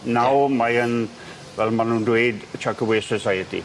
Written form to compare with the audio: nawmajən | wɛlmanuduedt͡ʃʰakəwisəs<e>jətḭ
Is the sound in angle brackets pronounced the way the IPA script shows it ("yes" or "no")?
no